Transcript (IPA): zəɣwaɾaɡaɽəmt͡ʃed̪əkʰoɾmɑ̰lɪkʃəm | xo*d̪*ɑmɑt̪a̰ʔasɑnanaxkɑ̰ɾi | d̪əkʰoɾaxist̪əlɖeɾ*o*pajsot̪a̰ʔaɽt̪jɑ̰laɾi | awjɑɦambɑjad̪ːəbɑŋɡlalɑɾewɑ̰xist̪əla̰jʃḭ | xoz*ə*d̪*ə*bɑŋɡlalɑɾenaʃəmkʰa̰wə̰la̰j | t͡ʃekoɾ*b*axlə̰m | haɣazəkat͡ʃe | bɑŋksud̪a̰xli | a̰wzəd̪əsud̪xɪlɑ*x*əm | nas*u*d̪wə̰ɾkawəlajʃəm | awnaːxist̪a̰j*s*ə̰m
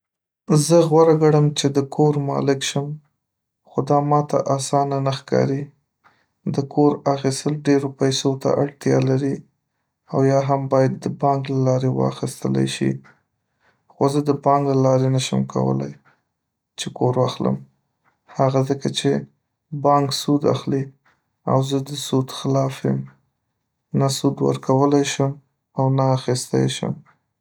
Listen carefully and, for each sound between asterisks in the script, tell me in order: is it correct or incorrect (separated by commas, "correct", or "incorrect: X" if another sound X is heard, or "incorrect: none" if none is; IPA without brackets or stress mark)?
correct, correct, correct, correct, incorrect: w, incorrect: f, correct, incorrect: ʃ